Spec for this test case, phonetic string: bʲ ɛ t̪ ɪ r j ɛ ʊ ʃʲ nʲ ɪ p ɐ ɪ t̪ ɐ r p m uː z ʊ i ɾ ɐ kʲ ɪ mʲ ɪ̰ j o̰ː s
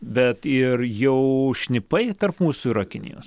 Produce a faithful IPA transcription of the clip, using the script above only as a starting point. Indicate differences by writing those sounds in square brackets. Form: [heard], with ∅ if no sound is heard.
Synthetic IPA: bʲ ɛ t̪ ɪ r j ɛ ʊ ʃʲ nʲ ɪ p ɐ ɪ t̪ ɐ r p m uː [s] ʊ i ɾ ɐ kʲ ɪ [nʲ] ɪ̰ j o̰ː s